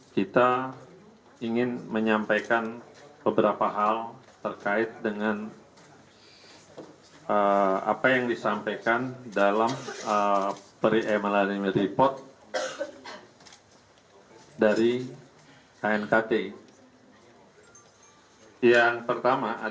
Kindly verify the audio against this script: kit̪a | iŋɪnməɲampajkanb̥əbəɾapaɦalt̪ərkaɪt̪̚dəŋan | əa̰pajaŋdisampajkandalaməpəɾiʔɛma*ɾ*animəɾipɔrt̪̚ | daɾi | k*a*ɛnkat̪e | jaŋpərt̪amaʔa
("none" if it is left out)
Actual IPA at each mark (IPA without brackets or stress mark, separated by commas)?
l, a